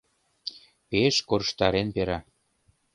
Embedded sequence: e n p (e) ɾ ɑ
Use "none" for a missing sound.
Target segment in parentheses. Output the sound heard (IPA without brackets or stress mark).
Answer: e